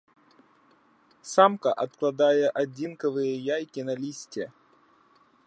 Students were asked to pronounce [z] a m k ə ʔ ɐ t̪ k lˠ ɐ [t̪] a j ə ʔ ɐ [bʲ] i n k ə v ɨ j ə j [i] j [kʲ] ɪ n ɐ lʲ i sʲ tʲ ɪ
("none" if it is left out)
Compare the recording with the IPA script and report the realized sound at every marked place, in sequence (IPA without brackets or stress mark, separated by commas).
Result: s, d̪, dʲ, a, kʲ